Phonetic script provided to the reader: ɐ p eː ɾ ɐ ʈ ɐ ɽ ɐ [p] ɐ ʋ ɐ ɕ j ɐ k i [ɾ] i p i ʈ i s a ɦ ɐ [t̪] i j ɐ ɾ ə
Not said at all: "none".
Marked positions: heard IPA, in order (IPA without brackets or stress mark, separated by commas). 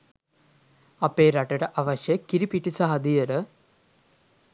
ʔ, ɾ, d̪